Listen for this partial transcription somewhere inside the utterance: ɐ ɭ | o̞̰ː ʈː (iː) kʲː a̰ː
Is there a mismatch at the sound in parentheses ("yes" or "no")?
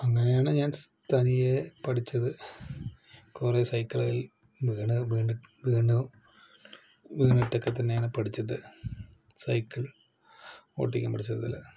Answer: yes